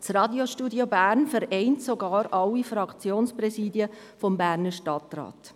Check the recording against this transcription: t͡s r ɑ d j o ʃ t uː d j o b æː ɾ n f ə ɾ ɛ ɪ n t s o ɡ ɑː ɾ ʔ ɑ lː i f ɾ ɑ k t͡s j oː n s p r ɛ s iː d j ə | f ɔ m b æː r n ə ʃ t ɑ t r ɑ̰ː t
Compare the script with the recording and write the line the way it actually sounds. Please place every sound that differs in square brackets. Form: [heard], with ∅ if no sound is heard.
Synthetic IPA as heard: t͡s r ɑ d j o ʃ t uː d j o b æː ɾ n f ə ɾ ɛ ɪ n t s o ɡ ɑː ɾ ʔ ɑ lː i f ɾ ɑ k t͡s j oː n s p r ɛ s iː d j ə | f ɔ m b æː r n ə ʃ t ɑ t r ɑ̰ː t